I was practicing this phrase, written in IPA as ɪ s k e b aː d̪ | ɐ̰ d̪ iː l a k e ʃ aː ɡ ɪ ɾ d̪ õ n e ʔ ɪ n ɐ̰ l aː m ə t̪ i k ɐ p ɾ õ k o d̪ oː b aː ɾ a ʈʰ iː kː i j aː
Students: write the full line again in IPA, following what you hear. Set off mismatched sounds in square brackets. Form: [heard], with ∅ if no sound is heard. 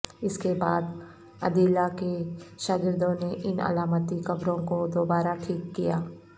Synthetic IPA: ɪ s k e b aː d̪ | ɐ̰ d̪ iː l a k e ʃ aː ɡ ɪ ɾ d̪ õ n e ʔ ɪ n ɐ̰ l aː m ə t̪ i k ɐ [b] ɾ õ k o d̪ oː b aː ɾ a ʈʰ iː kː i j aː